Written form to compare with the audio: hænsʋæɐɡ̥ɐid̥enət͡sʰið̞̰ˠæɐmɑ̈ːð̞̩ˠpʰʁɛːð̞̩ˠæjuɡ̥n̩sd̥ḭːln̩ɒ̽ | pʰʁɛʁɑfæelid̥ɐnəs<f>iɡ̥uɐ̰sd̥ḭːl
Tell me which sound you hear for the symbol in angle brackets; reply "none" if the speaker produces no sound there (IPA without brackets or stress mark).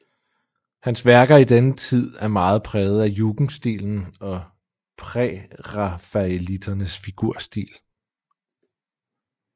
f